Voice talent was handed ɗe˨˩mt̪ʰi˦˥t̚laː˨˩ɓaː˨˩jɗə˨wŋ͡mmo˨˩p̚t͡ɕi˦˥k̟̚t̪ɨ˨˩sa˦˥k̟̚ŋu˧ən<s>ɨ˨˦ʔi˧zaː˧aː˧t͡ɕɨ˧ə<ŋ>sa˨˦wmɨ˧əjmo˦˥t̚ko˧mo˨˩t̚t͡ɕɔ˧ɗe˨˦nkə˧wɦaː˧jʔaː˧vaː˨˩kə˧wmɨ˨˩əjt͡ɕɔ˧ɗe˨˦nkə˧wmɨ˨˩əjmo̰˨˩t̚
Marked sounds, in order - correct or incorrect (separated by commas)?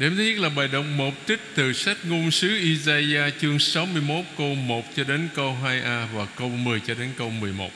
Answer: correct, correct